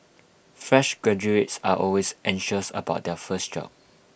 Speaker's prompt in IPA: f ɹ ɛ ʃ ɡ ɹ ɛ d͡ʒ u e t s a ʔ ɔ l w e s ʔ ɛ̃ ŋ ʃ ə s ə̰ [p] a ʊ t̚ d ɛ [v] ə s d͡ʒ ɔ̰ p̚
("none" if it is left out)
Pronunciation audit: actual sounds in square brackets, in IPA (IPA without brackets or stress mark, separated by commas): b, f